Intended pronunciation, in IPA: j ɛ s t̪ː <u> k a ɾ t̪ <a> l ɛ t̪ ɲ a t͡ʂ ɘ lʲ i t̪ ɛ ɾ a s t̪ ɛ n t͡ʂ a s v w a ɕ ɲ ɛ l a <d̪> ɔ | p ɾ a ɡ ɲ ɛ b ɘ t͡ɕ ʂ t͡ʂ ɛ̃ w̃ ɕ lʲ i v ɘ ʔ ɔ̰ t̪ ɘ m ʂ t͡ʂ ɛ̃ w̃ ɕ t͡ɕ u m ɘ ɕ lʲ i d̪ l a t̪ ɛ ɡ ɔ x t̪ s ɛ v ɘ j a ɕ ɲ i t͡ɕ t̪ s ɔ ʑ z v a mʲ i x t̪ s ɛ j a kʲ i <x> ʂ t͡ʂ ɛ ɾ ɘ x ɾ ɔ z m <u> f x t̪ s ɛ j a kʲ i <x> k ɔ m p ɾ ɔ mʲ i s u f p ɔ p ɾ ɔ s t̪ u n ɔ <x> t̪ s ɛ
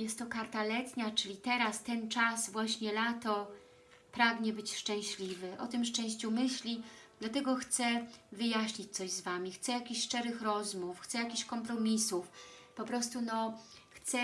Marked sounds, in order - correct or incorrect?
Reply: incorrect: ɔ, correct, incorrect: t̪, incorrect: ɕ, correct, incorrect: ɕ, correct

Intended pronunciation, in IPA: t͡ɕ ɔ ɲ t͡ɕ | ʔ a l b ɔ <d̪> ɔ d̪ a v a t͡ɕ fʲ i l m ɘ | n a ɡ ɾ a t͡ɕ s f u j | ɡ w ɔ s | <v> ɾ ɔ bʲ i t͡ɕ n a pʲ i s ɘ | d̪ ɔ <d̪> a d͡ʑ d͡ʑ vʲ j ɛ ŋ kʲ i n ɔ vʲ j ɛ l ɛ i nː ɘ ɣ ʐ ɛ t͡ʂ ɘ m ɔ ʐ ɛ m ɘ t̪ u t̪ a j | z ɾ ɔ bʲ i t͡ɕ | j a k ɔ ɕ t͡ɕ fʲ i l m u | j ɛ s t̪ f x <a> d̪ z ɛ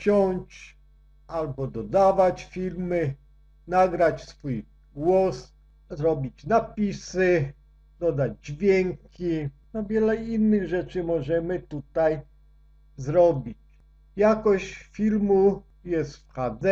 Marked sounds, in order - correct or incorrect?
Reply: correct, incorrect: z, correct, correct

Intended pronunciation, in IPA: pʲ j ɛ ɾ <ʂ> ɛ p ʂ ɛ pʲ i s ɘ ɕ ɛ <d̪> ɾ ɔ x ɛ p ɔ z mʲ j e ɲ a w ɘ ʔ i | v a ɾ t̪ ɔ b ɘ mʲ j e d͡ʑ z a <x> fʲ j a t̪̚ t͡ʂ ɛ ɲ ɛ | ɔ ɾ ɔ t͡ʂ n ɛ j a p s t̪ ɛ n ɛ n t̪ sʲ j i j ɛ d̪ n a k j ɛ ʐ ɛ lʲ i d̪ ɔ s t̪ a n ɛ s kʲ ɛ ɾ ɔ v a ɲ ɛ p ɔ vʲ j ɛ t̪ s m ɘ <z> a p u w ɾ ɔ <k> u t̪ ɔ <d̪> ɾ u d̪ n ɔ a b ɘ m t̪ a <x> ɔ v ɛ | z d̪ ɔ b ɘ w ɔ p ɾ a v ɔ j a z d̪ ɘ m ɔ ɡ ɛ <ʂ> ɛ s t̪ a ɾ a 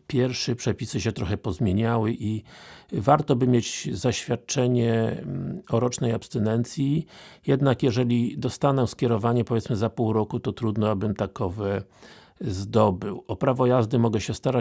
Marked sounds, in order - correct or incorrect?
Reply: correct, incorrect: t̪, incorrect: ɕ, correct, correct, incorrect: t̪, incorrect: k, incorrect: ɕ

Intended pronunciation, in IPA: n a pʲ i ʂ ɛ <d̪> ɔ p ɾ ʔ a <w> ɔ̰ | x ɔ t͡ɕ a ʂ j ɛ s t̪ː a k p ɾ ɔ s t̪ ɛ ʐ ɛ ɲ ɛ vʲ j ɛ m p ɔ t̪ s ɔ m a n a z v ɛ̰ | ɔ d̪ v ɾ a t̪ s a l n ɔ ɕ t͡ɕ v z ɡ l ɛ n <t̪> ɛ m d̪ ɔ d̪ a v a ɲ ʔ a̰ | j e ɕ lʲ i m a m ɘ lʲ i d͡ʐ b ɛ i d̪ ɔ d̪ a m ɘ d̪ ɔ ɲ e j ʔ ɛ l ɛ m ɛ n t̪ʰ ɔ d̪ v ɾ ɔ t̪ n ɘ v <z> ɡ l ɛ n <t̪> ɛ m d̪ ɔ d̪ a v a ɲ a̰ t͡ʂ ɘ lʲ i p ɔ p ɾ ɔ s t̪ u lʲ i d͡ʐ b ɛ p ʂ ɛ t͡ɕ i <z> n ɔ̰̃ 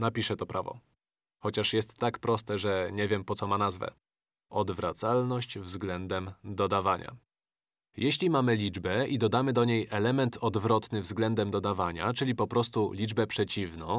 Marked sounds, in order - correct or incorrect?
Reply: incorrect: t̪, incorrect: v, incorrect: d̪, correct, incorrect: d̪, incorrect: v

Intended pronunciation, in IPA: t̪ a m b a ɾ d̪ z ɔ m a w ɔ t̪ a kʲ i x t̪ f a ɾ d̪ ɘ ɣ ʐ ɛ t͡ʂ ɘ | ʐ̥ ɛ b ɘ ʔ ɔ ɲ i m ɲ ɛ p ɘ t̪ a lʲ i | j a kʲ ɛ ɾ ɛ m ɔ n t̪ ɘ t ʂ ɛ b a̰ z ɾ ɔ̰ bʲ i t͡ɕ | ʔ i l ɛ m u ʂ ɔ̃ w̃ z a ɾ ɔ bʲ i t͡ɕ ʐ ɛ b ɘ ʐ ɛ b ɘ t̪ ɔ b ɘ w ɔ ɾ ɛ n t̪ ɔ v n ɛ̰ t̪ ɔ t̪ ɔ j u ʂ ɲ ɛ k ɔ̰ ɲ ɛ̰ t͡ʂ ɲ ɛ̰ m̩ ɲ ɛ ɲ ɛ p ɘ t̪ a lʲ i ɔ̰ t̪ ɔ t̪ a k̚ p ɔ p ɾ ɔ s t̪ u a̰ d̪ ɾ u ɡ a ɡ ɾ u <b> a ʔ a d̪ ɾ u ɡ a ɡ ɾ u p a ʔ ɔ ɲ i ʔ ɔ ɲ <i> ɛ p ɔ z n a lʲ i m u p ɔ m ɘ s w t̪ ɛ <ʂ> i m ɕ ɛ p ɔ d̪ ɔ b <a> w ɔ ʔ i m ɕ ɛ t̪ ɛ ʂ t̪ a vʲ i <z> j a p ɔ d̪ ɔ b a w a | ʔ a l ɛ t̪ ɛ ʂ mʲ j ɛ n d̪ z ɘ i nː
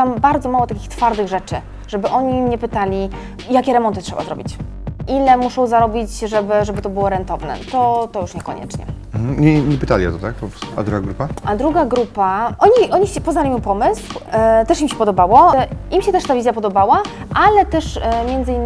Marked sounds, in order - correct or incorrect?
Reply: incorrect: p, correct, correct, correct, correct

